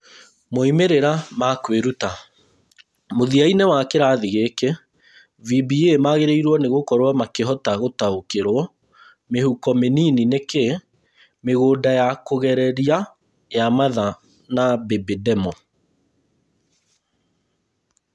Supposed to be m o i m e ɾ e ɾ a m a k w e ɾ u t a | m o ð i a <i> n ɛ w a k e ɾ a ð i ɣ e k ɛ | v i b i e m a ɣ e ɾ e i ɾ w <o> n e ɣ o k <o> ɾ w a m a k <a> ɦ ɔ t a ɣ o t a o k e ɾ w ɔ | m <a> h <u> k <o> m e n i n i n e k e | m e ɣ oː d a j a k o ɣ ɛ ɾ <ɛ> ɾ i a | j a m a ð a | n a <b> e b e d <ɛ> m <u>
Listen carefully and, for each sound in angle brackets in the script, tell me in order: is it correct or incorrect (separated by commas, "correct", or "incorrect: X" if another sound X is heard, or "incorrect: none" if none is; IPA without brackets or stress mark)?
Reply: correct, incorrect: ɔ, incorrect: ɔ, incorrect: e, incorrect: e, correct, incorrect: ɔ, correct, correct, correct, incorrect: ɔ